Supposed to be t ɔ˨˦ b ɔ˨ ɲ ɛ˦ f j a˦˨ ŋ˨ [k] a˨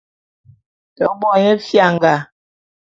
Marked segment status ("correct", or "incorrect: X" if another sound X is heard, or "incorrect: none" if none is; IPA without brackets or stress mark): incorrect: ɡ